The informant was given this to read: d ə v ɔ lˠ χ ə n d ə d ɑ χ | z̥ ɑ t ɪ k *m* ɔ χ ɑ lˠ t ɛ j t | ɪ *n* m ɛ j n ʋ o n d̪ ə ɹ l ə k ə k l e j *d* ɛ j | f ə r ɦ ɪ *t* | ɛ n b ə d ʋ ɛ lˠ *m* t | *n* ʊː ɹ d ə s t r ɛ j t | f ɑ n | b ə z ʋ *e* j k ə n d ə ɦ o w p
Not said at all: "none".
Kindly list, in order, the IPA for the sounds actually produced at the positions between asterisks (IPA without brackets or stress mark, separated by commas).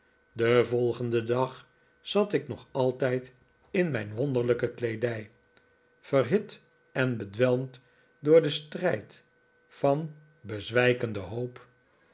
n, n, d, t, m, d, ɛ